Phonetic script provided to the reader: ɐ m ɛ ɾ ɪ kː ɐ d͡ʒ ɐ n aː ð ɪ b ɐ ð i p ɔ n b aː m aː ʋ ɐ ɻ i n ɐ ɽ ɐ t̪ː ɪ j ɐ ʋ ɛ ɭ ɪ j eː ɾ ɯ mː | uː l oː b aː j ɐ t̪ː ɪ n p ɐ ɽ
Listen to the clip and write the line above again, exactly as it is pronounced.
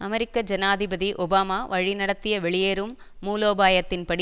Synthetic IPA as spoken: ɐ m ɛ ɾ ɪ kː ɐ d͡ʒ ɐ n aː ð ɪ b ɐ ð i ʔ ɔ b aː m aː ʋ ɐ ɻ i n ɐ ɽ ɐ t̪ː ɪ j ɐ ʋ ɛ ɭ ɪ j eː ɾ ɯ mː | uː l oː b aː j ɐ t̪ː ɪ n p ɐ ɽ